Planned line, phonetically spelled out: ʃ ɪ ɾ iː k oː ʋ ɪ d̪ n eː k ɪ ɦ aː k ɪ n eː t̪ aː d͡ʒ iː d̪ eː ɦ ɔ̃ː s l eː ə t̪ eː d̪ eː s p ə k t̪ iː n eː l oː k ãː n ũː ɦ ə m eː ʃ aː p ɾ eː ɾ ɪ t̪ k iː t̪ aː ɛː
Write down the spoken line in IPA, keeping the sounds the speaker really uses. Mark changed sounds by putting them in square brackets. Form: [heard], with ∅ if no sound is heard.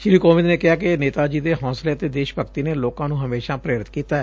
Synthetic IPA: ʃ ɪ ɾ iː k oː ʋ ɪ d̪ n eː k ɪ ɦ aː k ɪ n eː t̪ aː d͡ʒ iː d̪ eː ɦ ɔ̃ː s l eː ə t̪ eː d̪ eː [ʃ] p ə k t̪ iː n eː l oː k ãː n ũː ɦ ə m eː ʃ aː p ɾ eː ɾ ɪ t̪ k iː t̪ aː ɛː